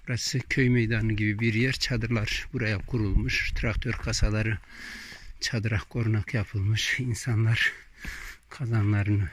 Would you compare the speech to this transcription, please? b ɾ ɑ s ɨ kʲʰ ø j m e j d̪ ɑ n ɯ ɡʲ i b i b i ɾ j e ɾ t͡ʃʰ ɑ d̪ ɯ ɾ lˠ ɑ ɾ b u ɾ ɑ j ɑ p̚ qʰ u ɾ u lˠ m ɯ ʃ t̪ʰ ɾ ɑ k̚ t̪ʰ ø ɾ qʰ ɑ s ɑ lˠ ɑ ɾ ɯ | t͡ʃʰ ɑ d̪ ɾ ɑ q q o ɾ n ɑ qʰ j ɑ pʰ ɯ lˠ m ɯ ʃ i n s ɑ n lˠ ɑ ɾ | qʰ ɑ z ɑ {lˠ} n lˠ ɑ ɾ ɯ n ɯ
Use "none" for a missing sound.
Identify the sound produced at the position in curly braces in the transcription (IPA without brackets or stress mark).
none